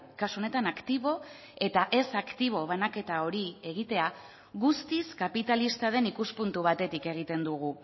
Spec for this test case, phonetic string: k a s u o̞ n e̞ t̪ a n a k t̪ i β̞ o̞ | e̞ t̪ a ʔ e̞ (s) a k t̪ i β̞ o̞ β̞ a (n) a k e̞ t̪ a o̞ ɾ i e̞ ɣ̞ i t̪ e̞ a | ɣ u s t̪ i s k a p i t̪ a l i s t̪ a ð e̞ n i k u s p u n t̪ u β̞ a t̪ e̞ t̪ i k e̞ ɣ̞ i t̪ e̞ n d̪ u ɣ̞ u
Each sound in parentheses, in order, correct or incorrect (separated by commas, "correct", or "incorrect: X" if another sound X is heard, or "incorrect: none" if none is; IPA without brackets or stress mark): correct, correct